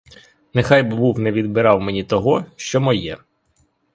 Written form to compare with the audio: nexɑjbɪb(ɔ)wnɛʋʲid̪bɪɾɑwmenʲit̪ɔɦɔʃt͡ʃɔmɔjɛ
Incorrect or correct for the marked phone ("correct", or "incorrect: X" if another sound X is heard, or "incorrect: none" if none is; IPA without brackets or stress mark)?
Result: incorrect: u